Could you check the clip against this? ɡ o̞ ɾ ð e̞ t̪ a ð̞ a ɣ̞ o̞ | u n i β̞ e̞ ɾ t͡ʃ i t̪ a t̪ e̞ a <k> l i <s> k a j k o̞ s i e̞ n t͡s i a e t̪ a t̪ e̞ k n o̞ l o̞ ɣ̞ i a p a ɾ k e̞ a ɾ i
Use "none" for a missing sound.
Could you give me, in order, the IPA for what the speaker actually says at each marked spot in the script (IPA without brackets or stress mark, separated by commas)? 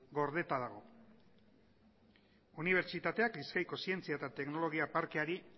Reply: k, s